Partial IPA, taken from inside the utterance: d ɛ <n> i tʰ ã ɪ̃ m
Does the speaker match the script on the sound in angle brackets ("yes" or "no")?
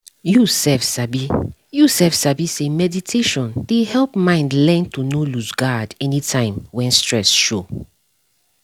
yes